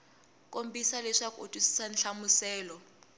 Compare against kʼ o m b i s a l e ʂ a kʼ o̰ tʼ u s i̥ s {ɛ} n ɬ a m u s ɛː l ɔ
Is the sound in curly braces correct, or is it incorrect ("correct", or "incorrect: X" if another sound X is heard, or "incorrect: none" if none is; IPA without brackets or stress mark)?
incorrect: a